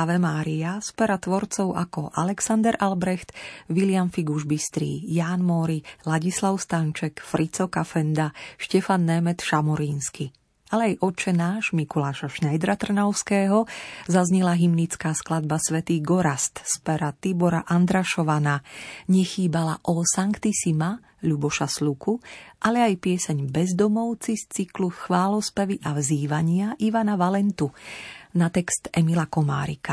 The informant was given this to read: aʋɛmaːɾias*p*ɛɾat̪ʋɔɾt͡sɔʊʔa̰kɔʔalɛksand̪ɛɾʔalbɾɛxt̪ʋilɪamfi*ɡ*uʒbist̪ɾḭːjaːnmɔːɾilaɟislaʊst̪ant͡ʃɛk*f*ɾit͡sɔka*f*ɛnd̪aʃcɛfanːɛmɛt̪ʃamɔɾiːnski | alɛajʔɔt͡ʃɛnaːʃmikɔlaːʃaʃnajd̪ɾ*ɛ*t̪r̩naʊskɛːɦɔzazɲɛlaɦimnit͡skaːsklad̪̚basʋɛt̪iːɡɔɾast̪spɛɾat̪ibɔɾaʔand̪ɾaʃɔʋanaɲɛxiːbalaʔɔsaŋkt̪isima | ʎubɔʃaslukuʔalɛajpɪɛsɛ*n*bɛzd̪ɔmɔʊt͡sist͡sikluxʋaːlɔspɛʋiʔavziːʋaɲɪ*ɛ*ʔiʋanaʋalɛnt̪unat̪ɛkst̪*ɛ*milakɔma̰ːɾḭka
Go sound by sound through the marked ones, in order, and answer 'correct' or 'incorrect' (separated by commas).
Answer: correct, correct, correct, correct, incorrect, incorrect, incorrect, correct